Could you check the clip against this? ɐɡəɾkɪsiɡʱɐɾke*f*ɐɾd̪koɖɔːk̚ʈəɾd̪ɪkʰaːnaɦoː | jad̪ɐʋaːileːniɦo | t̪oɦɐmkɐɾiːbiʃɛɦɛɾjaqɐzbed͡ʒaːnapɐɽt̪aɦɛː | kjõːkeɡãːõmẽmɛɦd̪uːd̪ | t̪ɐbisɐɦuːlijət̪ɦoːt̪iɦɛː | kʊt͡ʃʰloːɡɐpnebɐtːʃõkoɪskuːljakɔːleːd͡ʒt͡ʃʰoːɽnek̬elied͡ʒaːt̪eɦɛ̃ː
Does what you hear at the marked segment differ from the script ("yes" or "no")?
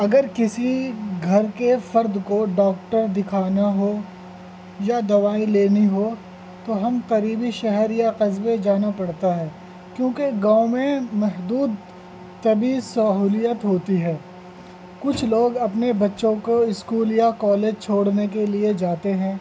no